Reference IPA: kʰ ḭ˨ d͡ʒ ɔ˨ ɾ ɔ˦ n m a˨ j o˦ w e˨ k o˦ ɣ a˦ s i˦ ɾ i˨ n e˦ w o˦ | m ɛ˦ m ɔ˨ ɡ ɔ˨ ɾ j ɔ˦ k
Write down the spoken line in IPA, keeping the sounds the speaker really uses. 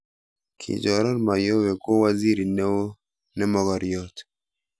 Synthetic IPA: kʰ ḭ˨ d͡ʒ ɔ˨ ɾ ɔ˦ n m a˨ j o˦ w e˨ k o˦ w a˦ z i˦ ɾ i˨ n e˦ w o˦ | n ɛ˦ m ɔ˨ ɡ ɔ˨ ɾ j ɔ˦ t